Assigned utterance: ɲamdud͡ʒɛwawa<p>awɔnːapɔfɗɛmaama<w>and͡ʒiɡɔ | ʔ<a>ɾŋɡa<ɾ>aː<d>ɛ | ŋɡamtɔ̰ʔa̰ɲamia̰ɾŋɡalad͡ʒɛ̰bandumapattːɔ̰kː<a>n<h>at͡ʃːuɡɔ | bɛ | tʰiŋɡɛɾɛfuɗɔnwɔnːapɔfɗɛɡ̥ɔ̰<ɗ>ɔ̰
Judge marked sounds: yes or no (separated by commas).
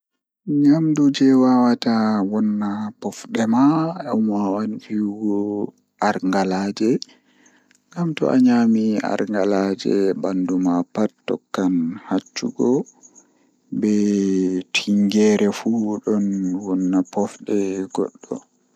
no, yes, yes, no, no, yes, yes, no